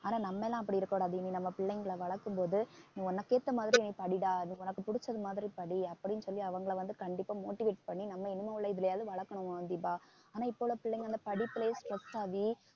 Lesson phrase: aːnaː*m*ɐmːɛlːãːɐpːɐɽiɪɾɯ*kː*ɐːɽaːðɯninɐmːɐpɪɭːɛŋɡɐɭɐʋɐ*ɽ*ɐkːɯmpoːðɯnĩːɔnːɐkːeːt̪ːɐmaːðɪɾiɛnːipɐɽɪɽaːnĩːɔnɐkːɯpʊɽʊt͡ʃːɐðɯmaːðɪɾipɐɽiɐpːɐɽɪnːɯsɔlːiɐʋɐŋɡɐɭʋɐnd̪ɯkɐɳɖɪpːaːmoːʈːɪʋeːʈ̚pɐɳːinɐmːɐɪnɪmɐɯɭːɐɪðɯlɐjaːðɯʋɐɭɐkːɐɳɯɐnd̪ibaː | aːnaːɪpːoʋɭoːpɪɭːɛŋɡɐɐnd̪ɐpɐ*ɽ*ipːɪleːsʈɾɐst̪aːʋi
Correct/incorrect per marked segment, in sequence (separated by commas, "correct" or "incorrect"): incorrect, correct, incorrect, correct